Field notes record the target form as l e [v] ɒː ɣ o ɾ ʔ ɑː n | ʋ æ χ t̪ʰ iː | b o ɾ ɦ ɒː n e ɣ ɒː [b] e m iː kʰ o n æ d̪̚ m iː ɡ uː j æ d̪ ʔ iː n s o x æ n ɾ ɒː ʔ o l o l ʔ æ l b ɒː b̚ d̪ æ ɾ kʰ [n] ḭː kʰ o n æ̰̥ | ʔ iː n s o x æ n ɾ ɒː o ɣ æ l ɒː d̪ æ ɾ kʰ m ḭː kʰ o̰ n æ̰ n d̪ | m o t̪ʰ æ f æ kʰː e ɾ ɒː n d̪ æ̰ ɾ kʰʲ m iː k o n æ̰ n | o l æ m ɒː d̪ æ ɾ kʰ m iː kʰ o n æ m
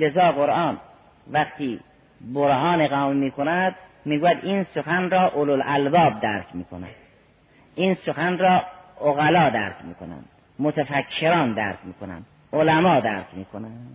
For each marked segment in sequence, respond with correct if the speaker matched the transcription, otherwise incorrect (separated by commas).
incorrect, incorrect, incorrect